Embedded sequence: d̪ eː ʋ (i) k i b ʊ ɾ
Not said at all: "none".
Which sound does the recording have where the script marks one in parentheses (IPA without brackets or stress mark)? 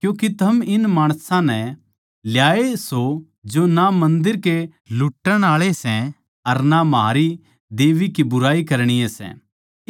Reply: i